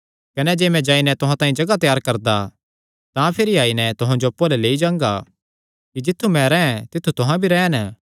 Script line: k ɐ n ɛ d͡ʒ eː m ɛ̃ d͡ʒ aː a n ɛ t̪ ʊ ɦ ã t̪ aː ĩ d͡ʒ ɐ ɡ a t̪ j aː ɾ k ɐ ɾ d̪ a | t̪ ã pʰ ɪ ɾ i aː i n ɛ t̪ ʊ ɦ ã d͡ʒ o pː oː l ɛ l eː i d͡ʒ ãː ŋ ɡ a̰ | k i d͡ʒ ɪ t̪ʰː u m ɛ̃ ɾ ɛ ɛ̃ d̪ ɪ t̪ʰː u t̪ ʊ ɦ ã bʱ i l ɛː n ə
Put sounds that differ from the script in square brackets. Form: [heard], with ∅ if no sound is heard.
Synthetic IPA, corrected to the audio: k ɐ n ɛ d͡ʒ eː m ɛ̃ d͡ʒ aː [i] n ɛ t̪ ʊ ɦ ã t̪ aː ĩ d͡ʒ ɐ ɡ a t̪ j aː ɾ k ɐ ɾ d̪ a | t̪ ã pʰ ɪ ɾ i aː i n ɛ t̪ ʊ ɦ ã d͡ʒ o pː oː l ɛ l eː i d͡ʒ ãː ŋ ɡ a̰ | k i d͡ʒ ɪ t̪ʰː u m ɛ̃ ɾ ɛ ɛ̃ [t̪] ɪ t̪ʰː u t̪ ʊ ɦ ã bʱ i [ɾ] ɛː n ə